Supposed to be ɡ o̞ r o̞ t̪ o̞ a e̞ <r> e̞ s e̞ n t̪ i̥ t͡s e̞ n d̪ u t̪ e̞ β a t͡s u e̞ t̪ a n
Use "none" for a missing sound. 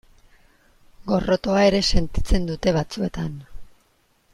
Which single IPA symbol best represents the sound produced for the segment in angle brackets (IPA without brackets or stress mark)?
ɾ